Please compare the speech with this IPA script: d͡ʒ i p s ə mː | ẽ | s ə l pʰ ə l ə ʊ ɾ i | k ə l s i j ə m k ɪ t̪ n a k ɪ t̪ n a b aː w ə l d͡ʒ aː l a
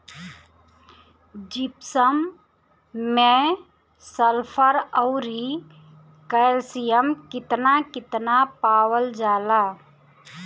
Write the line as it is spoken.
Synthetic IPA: d͡ʒ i p s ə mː | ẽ | s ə l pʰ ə ɾ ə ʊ ɾ i | k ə l s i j ə m k ɪ t̪ n a k ɪ t̪ n a p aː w ə l d͡ʒ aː l a